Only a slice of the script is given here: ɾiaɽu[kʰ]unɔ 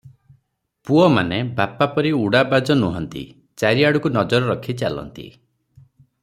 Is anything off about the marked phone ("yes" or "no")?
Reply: yes